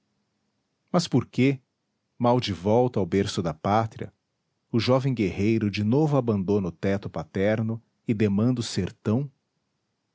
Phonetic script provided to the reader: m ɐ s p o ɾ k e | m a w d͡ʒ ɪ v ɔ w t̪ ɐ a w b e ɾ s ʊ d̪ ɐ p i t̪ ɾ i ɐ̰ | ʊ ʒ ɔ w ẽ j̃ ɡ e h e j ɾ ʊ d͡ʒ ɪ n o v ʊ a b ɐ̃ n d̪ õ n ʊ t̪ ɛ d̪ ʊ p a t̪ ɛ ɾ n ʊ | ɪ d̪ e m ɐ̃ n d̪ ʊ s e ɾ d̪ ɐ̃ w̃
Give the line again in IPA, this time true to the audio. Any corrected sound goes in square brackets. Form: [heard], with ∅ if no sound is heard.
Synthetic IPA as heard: m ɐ s p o ɾ k e | m a w d͡ʒ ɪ v ɔ w t̪ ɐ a w b e ɾ s ʊ d̪ ɐ p [a] t̪ ɾ i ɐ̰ | ʊ ʒ ɔ [v] ẽ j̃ ɡ e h e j ɾ ʊ d͡ʒ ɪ n o v ʊ a b ɐ̃ n d̪ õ n ʊ t̪ ɛ [t̪] ʊ p a t̪ ɛ ɾ n ʊ | ɪ d̪ e m ɐ̃ n d̪ ʊ s e ɾ [t̪] ɐ̃ w̃